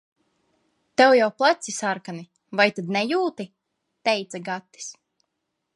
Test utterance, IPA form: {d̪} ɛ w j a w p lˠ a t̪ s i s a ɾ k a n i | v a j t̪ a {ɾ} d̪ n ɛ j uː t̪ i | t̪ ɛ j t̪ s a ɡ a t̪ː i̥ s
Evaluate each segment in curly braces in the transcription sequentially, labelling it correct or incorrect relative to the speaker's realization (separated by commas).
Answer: incorrect, incorrect